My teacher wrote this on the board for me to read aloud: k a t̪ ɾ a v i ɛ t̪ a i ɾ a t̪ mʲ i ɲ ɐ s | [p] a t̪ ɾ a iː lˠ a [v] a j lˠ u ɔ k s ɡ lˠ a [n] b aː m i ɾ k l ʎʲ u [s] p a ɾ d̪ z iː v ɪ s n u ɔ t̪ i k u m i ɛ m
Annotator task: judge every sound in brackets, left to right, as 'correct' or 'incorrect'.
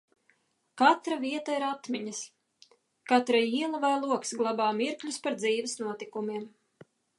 incorrect: k, correct, incorrect: none, correct

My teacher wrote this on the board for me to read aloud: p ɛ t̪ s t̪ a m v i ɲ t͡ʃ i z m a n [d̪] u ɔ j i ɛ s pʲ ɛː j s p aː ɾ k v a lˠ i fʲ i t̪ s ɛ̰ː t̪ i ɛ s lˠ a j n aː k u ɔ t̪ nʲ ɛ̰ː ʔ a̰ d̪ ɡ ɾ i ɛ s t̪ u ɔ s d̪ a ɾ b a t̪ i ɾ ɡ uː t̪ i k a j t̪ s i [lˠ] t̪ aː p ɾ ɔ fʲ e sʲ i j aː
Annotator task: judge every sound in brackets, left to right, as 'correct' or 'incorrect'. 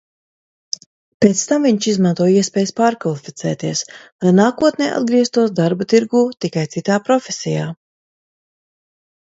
incorrect: t̪, incorrect: none

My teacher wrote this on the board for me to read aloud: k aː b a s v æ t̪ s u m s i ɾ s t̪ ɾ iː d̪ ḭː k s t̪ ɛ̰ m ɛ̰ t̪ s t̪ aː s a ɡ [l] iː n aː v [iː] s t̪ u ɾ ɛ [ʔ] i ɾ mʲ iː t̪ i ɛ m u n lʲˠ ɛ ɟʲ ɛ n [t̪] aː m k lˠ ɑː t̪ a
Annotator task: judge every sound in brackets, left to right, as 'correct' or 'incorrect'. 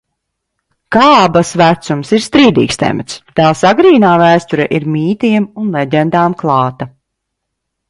incorrect: ɾ, incorrect: æː, correct, incorrect: d̪

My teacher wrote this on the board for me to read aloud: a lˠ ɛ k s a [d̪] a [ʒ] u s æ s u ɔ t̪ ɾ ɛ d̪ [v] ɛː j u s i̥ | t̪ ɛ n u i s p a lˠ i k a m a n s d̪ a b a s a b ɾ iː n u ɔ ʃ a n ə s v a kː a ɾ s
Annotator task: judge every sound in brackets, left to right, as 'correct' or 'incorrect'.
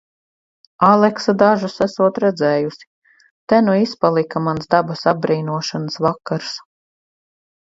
correct, correct, incorrect: z

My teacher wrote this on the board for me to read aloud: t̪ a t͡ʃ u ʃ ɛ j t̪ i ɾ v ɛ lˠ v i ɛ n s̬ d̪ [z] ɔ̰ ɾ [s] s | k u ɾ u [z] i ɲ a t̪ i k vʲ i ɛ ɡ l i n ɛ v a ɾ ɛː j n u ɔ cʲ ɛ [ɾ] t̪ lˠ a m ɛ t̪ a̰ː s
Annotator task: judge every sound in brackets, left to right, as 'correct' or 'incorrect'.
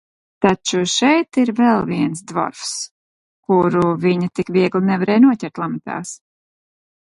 incorrect: v, incorrect: f, incorrect: v, correct

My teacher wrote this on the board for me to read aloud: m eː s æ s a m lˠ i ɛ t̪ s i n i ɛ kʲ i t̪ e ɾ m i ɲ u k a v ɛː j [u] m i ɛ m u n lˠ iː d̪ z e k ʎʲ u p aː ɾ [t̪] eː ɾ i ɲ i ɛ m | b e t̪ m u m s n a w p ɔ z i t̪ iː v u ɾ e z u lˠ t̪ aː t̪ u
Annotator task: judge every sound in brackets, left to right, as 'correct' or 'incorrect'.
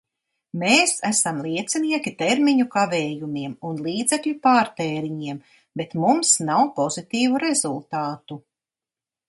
correct, correct

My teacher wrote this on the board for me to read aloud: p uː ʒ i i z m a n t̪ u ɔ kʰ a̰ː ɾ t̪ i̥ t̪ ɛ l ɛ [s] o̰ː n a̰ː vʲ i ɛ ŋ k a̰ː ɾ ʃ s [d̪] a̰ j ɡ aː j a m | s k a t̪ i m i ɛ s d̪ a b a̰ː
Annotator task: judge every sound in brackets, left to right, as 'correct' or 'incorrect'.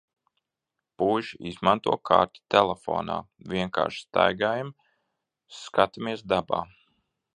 incorrect: f, incorrect: t̪

